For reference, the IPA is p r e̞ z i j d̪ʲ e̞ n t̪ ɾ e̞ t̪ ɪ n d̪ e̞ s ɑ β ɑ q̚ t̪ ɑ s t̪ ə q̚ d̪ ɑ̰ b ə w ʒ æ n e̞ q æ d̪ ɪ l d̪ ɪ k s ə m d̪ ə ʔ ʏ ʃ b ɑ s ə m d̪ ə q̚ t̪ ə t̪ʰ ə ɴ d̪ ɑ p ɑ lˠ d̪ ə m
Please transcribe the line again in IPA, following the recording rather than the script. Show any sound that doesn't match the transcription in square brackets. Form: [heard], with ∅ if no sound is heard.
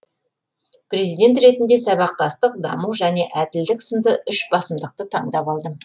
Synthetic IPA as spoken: p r e̞ z i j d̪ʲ e̞ n t̪ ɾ e̞ t̪ ɪ n d̪ e̞ s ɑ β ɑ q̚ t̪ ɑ s t̪ ə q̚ d̪ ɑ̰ [m] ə w ʒ æ n e̞ [ʔ] æ d̪ ɪ l d̪ ɪ k s ə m d̪ ə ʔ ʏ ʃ b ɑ s ə m d̪ ə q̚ t̪ ə t̪ʰ [ɑ] ɴ d̪ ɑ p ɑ lˠ d̪ ə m

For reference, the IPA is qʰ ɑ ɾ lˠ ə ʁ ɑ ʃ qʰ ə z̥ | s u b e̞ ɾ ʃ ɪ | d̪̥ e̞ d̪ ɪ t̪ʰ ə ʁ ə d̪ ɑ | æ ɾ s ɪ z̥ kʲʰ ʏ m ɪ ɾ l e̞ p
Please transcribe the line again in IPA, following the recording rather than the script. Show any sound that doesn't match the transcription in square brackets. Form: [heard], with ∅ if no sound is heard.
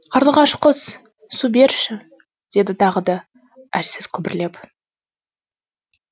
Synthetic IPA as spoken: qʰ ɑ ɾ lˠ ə ʁ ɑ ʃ [q] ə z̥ | s u b e̞ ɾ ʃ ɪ | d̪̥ e̞ d̪ ɪ t̪ʰ [ɑ] ʁ ə d̪ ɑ | æ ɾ s ɪ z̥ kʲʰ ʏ [b] ɪ ɾ l e̞ p

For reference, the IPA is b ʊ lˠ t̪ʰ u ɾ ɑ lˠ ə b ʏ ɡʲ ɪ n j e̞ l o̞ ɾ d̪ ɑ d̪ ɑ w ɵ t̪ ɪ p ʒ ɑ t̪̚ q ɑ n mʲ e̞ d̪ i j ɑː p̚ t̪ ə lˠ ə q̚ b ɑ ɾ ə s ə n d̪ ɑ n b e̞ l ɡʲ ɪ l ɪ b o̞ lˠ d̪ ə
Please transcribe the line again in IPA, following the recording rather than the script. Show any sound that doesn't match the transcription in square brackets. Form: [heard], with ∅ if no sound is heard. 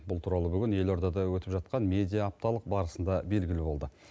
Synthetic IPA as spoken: b ʊ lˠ t̪ʰ u ɾ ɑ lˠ ə b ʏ ɡʲ ɪ n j e̞ l o̞ ɾ d̪ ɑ d̪ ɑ w ɵ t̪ ɪ p ʒ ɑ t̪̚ q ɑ n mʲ e̞ d̪ i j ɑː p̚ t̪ [ɑ] lˠ ə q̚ b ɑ ɾ ə s ə n d̪ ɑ [∅] b e̞ l ɡʲ ɪ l ɪ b o̞ lˠ d̪ ə

